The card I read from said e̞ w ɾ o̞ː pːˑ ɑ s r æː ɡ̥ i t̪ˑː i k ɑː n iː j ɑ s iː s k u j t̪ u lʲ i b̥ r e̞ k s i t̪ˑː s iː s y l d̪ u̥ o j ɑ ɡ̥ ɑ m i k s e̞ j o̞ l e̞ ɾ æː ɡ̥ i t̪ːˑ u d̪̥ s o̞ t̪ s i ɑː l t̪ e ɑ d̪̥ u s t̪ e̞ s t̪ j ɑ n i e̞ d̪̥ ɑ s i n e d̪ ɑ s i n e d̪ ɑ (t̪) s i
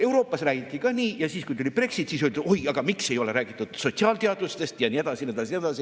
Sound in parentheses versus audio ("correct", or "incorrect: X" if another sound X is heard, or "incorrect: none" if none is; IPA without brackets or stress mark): incorrect: none